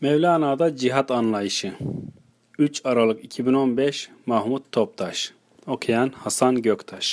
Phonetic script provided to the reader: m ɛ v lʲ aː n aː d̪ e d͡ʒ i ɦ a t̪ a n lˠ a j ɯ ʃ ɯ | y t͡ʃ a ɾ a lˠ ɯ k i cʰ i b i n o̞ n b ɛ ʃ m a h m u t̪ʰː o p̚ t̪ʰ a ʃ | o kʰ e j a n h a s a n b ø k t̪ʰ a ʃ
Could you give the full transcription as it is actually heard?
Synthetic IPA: m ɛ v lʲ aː n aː d̪ a d͡ʒ i ɦ a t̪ a n lˠ a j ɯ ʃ ɯ | y t͡ʃ a ɾ a lˠ ɯ k i cʰ i b i n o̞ n b ɛ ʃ m a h m u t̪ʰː o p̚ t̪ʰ a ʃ | o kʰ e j a n h a s a n ɟ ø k t̪ʰ a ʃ